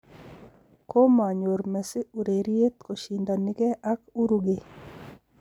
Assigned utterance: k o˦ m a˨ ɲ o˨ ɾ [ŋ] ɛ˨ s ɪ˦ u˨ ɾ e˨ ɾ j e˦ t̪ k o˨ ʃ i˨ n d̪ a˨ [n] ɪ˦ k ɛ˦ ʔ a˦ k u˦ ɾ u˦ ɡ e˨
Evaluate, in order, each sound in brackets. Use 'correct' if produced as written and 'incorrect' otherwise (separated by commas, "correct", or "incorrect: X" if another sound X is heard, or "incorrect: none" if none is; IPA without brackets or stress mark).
incorrect: m, correct